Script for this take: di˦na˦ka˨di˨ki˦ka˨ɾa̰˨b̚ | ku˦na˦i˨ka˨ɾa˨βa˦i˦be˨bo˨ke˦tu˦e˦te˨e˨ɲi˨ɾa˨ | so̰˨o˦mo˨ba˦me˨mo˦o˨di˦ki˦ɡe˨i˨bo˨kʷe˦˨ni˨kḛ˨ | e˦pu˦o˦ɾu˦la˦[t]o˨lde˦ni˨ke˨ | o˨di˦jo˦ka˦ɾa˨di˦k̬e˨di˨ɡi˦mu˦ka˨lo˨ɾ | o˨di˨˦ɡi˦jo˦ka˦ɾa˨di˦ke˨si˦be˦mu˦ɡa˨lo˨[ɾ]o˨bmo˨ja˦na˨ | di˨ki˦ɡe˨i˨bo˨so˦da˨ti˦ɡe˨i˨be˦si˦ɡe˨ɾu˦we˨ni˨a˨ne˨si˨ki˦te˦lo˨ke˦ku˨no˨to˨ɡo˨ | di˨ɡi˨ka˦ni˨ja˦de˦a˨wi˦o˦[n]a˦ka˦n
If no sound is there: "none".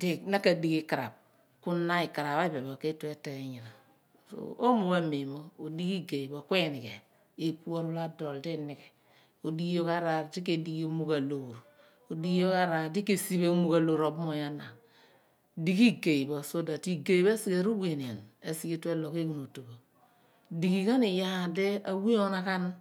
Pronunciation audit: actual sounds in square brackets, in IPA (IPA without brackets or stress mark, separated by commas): d, ɾ, n